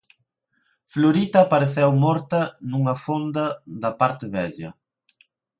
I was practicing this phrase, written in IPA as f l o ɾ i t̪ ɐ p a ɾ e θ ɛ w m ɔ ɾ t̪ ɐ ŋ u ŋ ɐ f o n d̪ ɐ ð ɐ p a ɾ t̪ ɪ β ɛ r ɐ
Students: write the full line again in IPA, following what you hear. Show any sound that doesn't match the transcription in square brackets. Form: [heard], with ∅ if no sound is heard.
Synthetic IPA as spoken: f l o ɾ i t̪ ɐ p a ɾ e θ ɛ w m ɔ ɾ t̪ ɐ [n] u ŋ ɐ f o n d̪ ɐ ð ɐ p a ɾ t̪ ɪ β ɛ [ʎ] ɐ